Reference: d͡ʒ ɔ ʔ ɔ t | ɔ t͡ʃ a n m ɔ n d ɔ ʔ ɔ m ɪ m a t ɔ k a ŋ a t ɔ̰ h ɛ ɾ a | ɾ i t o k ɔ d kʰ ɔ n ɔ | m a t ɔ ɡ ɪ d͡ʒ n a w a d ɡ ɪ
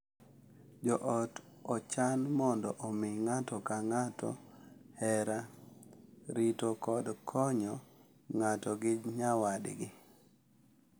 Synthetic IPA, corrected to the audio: d͡ʒ ɔ ʔ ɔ t | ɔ t͡ʃ a n m ɔ n d ɔ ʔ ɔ m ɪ ŋ a t ɔ k a ŋ a t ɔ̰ h ɛ ɾ a | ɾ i t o k ɔ d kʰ ɔ ɲ ɔ | ŋ a t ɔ ɡ ɪ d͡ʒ ɲ a w a d ɡ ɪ